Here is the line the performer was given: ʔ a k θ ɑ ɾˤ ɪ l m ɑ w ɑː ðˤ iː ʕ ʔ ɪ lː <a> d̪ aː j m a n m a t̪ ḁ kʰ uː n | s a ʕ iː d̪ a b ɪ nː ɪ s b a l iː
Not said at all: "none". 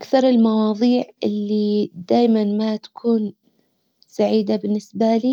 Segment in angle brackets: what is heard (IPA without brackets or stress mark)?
i